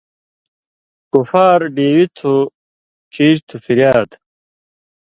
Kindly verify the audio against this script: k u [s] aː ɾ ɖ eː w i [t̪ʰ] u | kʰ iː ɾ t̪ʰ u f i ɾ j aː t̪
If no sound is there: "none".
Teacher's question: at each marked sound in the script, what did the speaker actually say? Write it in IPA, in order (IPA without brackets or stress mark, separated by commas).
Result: f, t̪ʰ